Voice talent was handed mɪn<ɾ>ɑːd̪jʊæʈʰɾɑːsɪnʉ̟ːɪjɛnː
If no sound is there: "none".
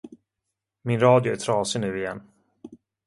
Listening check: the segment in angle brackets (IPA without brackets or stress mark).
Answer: ɾ